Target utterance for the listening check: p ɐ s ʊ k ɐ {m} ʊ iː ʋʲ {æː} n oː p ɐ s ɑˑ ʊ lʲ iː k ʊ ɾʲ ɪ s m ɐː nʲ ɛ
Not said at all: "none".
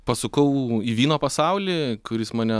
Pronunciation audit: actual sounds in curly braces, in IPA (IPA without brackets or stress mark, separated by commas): none, iː